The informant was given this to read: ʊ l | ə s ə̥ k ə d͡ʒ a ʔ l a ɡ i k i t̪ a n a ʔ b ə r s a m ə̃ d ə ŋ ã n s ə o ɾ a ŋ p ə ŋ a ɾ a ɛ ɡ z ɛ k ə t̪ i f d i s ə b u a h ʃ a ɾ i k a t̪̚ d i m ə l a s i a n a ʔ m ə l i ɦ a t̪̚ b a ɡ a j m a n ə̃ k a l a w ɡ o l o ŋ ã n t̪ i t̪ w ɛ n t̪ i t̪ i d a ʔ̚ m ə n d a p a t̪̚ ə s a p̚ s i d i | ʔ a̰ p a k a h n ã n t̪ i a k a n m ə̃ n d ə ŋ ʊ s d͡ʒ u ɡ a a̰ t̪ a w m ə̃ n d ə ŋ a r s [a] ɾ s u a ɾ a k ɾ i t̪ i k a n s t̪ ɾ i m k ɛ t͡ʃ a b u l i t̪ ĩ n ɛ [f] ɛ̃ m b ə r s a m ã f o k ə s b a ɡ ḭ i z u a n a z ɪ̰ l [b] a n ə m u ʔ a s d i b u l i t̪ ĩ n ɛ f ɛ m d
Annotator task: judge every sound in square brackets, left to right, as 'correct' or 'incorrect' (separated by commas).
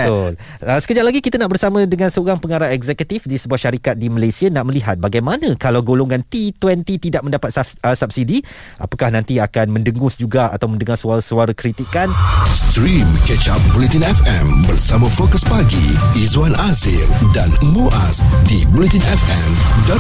correct, correct, incorrect